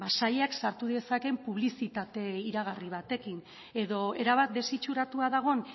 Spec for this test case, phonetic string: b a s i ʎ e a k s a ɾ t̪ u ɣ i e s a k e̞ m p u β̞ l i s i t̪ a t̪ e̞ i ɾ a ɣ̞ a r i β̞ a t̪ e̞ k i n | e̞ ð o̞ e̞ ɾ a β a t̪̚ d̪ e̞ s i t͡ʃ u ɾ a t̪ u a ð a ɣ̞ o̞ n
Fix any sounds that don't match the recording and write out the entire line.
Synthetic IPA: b a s a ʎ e a k s a ɾ t̪ u ð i e s a k e̞ m p u β̞ l i s i t̪ a t̪ e̞ i ɾ a ɣ̞ a r i β̞ a t̪ e̞ k i n | e̞ ð o̞ e̞ ɾ a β a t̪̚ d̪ e̞ s i t͡ʃ u ɾ a t̪ u a ð a ɣ̞ o̞ n